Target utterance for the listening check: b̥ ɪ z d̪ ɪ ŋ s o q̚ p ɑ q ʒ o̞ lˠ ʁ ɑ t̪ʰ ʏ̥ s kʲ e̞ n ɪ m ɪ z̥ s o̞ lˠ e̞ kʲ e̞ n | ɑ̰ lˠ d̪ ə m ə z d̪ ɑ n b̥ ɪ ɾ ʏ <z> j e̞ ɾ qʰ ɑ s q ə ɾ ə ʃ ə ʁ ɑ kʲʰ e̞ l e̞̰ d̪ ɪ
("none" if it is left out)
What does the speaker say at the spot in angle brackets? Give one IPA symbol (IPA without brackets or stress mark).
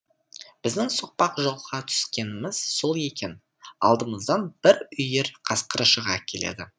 none